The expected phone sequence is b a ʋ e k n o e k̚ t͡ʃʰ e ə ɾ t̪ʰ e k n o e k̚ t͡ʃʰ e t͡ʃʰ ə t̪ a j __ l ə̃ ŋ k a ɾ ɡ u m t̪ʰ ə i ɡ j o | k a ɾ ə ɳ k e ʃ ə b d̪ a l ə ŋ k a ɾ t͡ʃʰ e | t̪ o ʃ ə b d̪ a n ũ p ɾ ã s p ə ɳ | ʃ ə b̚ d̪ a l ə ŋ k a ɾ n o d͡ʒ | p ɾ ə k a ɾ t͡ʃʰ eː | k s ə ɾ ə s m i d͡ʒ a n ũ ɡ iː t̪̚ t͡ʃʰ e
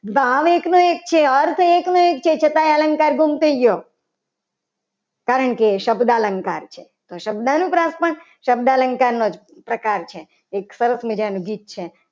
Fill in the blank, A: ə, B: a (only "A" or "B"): B